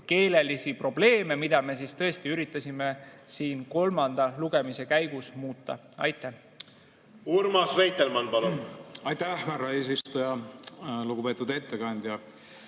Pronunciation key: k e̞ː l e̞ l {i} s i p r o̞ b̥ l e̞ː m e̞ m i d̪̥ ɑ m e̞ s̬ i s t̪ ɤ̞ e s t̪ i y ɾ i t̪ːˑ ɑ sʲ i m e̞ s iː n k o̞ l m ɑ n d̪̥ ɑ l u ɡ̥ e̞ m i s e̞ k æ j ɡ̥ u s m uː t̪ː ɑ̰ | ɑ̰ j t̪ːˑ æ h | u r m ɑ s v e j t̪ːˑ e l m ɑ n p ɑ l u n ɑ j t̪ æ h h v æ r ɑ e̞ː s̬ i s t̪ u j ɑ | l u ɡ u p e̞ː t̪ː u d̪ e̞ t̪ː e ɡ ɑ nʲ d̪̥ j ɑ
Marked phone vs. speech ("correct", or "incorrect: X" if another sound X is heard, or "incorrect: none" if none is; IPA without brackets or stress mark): correct